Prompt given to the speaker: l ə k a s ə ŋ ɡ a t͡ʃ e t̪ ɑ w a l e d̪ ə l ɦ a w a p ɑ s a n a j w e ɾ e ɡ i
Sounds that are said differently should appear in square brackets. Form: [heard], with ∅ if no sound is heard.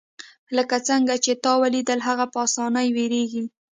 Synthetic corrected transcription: l ə k a [t͡s] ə ŋ ɡ a t͡ʃ e t̪ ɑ w a l [i] d̪ ə l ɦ a [ɣ] a p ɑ s [ɑ] n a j w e ɾ e ɡ i